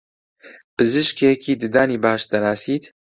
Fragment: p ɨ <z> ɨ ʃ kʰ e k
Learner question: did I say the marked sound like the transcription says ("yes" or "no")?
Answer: yes